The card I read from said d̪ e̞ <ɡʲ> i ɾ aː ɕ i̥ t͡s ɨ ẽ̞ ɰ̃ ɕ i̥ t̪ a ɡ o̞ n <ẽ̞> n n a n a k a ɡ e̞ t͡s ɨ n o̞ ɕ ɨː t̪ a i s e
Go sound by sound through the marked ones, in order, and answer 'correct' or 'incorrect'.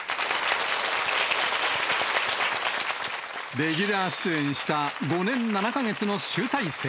correct, correct

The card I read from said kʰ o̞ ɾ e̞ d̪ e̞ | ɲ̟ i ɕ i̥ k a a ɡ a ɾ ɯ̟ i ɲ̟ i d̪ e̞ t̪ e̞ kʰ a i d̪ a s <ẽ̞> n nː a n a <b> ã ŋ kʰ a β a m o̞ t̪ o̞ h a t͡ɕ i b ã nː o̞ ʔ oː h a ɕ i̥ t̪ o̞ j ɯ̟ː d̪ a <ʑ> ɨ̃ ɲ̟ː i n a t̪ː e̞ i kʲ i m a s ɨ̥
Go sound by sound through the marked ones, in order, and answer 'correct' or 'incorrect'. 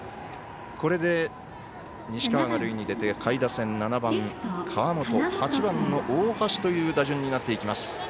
correct, correct, correct

